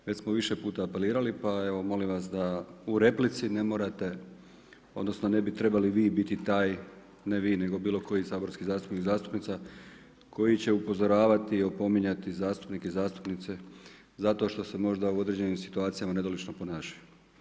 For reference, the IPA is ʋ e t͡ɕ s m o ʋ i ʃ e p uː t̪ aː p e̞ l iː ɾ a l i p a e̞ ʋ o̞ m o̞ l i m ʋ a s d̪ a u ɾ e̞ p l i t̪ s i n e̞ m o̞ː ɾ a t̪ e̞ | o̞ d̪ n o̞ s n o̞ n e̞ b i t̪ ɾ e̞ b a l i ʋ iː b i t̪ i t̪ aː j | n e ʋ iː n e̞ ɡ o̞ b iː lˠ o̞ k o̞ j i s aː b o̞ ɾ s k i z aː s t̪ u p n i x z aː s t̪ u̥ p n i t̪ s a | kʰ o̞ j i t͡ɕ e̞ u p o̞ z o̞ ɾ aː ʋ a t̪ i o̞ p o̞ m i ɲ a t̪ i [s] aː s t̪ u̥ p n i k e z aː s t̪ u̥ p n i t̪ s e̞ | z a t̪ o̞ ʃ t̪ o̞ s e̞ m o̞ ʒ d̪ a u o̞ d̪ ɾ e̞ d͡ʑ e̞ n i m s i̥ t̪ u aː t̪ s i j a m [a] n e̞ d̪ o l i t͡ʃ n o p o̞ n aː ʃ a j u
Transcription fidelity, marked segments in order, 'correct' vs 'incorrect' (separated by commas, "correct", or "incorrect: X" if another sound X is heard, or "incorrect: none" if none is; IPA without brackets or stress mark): incorrect: z, correct